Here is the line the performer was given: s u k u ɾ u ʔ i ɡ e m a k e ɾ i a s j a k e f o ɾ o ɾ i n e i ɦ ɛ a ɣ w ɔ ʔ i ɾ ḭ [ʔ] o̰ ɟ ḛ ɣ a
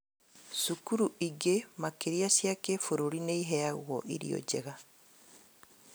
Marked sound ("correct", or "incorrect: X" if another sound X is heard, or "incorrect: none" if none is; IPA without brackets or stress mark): incorrect: none